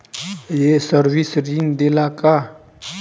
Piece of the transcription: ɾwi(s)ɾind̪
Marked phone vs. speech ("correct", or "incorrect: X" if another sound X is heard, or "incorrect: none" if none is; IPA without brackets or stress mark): correct